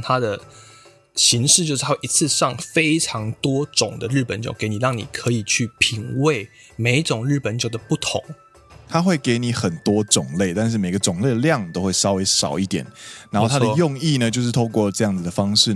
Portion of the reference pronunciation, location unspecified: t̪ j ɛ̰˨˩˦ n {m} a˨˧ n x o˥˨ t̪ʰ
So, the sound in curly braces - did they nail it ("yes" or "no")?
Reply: no